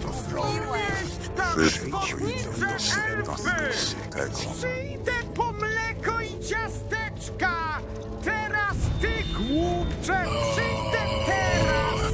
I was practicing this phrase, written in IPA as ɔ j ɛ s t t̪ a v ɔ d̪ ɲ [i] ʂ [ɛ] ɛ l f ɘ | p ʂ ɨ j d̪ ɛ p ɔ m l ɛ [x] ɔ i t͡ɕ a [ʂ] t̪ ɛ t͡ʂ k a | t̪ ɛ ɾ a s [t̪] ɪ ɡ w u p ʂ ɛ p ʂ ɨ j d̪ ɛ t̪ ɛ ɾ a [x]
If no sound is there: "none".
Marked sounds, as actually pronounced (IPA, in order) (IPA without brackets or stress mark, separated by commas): i, ɛ, k, s, t̪, s